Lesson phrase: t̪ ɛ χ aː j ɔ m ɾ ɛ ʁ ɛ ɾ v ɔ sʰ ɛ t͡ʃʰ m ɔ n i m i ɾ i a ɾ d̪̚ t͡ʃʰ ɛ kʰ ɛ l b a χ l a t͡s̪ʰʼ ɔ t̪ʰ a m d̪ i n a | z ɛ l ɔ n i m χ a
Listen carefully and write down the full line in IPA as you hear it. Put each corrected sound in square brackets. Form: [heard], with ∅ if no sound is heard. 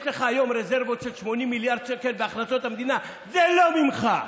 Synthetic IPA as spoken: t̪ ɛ χ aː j ɔ m ɾ ɛ [z] ɛ ɾ v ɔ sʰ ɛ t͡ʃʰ m ɔ n i m i [l] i a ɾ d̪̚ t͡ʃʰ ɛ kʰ ɛ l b a χ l a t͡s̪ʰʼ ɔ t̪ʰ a m d̪ i n a | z ɛ l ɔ [m] i m χ a